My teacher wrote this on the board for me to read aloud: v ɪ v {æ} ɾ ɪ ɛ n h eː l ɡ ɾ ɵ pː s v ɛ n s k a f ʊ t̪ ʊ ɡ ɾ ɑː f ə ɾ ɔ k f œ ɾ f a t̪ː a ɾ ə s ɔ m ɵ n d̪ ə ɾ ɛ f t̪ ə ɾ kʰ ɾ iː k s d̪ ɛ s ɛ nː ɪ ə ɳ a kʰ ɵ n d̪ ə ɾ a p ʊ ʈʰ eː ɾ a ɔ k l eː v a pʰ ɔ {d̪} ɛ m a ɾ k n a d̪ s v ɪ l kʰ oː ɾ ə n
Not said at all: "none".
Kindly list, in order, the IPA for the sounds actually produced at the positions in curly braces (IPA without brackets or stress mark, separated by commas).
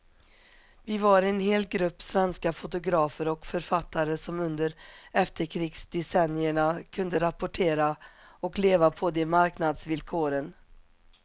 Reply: a, d̪